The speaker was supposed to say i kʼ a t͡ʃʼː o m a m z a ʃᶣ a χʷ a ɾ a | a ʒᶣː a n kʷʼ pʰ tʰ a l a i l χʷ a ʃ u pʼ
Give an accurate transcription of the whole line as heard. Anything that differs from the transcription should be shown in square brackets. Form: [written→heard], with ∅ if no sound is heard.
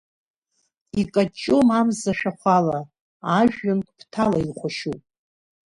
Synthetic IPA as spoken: i kʼ a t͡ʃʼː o m a m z a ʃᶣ a χʷ a [ɾ→l] a | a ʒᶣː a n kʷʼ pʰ tʰ a l a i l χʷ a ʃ u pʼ